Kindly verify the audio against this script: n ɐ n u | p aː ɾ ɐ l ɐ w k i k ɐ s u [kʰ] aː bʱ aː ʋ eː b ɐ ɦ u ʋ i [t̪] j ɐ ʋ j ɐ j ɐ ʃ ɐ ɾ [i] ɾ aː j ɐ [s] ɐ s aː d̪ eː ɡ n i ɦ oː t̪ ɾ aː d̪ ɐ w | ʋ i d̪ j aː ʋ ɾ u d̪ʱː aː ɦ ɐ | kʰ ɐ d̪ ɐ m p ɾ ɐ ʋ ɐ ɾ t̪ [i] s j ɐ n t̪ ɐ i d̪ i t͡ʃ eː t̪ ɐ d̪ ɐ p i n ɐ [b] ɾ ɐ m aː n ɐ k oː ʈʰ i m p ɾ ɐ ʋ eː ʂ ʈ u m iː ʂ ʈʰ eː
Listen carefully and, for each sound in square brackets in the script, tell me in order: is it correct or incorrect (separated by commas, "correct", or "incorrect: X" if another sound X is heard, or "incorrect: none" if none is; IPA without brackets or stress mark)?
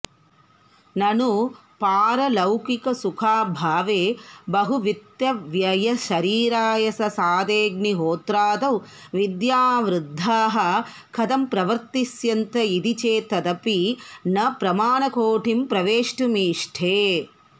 correct, correct, incorrect: iː, correct, correct, incorrect: p